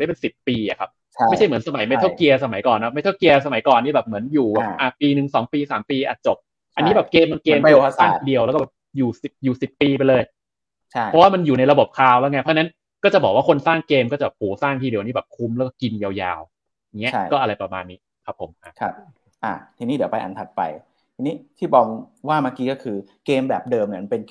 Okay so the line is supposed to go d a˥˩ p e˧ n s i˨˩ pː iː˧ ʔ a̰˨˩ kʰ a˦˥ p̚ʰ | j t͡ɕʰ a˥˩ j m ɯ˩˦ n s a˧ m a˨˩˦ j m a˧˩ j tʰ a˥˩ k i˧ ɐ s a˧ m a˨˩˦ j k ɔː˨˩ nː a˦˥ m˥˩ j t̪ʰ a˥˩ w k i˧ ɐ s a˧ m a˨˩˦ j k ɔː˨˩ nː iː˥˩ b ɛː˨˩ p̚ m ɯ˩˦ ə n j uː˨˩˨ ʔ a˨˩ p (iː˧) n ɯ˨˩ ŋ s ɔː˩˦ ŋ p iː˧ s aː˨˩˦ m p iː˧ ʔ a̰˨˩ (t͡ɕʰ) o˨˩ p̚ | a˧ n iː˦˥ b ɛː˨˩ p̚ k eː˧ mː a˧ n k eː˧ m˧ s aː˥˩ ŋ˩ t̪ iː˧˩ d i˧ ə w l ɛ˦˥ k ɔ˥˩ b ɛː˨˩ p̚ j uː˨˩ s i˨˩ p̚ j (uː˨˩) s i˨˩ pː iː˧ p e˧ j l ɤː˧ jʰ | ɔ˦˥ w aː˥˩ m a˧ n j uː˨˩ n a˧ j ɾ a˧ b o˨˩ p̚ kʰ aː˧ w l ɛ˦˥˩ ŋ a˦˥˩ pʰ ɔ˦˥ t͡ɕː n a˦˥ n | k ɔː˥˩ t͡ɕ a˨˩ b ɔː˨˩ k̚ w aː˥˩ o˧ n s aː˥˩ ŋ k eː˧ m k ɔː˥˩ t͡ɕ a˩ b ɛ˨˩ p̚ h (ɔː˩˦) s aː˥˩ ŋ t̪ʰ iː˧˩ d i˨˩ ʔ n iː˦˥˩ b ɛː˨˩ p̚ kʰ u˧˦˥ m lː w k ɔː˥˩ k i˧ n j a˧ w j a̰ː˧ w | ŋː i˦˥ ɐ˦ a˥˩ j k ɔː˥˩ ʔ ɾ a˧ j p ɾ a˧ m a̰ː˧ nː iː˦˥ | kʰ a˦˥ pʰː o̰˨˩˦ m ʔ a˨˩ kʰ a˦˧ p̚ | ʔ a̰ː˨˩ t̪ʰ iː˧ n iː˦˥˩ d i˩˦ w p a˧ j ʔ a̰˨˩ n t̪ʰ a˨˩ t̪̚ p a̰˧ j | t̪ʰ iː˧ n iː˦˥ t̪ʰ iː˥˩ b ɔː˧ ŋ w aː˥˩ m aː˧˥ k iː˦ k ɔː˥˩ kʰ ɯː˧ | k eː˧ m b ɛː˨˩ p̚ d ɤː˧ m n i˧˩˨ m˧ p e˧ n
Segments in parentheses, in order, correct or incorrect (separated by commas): correct, incorrect, correct, incorrect